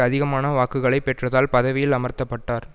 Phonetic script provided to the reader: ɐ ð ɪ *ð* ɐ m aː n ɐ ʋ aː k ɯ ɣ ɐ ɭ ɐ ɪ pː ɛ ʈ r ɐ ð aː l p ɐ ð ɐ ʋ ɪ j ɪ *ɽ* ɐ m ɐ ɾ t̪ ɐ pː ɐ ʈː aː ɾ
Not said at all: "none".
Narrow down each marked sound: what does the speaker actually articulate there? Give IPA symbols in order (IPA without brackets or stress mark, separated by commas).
ɣ, l